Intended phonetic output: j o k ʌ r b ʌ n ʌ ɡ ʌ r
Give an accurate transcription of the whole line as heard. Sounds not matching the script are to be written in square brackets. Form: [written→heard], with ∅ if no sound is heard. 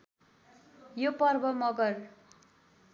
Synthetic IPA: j o [k→p] ʌ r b ʌ [n→m] ʌ ɡ ʌ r